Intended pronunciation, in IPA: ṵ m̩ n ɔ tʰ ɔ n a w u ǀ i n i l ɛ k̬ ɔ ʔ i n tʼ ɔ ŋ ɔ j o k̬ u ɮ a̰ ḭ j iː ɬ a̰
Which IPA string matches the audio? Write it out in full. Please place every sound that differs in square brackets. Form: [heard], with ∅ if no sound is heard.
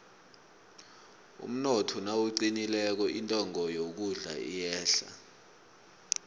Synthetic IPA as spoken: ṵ m̩ n ɔ tʰ ɔ n a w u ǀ i n i l ɛ k̬ ɔ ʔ i n tʼ ɔ ŋ ɔ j o k̬ u ɮ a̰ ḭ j [ɛː] ɬ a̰